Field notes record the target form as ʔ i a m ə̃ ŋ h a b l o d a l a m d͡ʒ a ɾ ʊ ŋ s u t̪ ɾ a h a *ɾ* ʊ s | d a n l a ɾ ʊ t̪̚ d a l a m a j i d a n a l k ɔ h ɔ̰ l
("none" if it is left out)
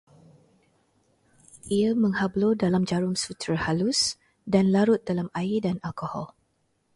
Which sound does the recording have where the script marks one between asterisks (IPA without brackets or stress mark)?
l